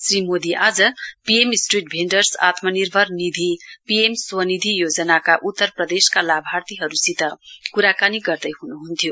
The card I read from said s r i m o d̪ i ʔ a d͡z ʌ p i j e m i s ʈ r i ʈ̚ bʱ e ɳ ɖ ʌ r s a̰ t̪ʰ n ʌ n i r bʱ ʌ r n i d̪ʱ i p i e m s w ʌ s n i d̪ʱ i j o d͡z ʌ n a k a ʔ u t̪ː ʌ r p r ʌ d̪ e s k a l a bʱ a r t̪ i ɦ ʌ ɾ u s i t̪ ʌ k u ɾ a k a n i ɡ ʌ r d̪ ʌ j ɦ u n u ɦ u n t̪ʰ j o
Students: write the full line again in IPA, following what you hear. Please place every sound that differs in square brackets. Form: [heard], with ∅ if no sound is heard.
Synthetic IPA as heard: s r i m o d̪ i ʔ a d͡z ʌ p i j e m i s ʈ r i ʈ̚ bʱ e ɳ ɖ ʌ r s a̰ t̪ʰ [m] ʌ n i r bʱ ʌ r n i d̪ʱ i p i e m s w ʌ [∅] n i d̪ʱ i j o d͡z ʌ n a k a ʔ u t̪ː ʌ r p r ʌ d̪ e s k a l a bʱ a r t̪ i ɦ ʌ ɾ u s i t̪ ʌ k u ɾ a k a n i ɡ ʌ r d̪ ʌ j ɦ u n u ɦ u n t̪ʰ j o

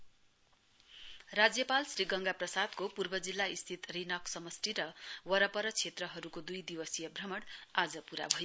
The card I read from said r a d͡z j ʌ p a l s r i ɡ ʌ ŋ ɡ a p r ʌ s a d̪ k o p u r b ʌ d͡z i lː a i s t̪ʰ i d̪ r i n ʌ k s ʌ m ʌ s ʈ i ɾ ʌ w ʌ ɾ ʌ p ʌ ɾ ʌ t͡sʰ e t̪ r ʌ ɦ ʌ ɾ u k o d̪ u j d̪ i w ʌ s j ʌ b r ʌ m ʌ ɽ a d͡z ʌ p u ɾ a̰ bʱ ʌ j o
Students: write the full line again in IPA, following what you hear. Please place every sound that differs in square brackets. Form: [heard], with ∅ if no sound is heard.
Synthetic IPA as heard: r a d͡z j ʌ p a l s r i ɡ ʌ ŋ ɡ a p r ʌ s a d̪ k o p u r b ʌ d͡z i lː a i s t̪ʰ i [t̪] r i n ʌ k s ʌ m ʌ s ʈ i ɾ ʌ w ʌ ɾ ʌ p ʌ ɾ ʌ t͡sʰ e t̪ r ʌ ɦ ʌ ɾ u k o d̪ u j d̪ i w ʌ s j ʌ b r ʌ m ʌ ɽ a d͡z ʌ p u ɾ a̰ bʱ ʌ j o

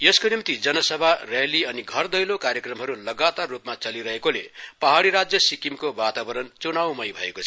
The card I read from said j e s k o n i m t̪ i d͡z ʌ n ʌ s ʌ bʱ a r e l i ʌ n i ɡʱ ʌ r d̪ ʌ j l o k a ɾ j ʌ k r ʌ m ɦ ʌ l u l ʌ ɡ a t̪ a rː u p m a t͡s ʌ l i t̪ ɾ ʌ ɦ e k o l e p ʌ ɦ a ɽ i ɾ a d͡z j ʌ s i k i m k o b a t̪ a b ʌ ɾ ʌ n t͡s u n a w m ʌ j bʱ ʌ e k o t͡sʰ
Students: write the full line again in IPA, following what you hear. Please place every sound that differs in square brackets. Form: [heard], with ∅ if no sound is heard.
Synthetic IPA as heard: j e s k o n i m t̪ i d͡z ʌ n ʌ s ʌ bʱ a r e l i ʌ n i ɡʱ ʌ r d̪ ʌ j l o k a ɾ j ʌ k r ʌ m ɦ ʌ [ɾ] u l ʌ ɡ a t̪ a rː u p m a t͡s ʌ l i [∅] ɾ ʌ ɦ e k o l e p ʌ ɦ a ɽ i ɾ a d͡z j ʌ s i k i m k o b a t̪ a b ʌ ɾ ʌ n t͡s u n a w m ʌ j bʱ ʌ e k o t͡sʰ

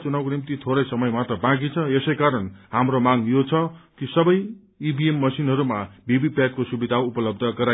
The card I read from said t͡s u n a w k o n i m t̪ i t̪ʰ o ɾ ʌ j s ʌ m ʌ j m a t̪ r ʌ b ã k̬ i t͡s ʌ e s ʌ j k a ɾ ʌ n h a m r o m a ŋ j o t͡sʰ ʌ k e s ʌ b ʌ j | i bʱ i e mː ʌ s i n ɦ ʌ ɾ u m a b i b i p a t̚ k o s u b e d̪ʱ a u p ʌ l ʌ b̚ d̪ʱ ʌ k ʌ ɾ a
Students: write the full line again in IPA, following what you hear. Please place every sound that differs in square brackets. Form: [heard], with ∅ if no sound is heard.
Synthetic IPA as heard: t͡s u n a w k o n i m t̪ i t̪ʰ o ɾ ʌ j s ʌ m ʌ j m a t̪ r ʌ b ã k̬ i [t͡sʰ] ʌ e s ʌ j k a ɾ ʌ n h a m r o m a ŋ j o t͡sʰ ʌ k [i] s ʌ b ʌ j | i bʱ i e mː ʌ s i n ɦ ʌ ɾ u m a b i b i p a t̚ k o s u b [i] d̪ʱ a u p ʌ l ʌ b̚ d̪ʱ ʌ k ʌ ɾ a

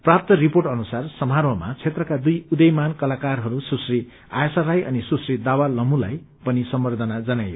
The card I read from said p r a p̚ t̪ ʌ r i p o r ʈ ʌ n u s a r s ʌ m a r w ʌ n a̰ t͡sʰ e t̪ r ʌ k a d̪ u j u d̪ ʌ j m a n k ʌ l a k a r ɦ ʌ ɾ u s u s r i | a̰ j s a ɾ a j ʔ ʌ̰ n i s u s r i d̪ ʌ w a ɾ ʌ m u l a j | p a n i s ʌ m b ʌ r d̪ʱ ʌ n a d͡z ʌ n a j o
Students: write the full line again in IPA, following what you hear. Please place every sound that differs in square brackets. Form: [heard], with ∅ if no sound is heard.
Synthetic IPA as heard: p r a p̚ t̪ ʌ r i p o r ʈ ʌ n u s a r s ʌ m a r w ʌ [m] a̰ t͡sʰ e t̪ r ʌ k a d̪ u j u d̪ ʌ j m a n k ʌ l a k a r ɦ ʌ ɾ u s u s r i | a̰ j s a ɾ a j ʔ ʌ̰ n i s u s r i d̪ [a] w a [l] ʌ m u l a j | p [ʌ] n i s ʌ m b ʌ r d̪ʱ ʌ n a d͡z ʌ n a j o

